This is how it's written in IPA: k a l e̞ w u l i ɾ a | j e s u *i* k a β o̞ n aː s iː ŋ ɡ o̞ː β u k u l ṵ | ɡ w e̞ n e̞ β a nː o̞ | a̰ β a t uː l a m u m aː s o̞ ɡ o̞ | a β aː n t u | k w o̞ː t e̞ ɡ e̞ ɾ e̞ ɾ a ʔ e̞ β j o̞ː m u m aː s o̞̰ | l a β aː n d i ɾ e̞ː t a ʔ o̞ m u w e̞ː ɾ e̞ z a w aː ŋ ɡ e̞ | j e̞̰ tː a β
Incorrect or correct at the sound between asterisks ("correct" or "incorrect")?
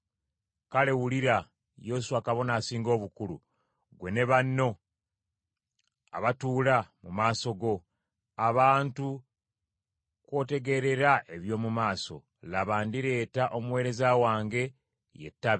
incorrect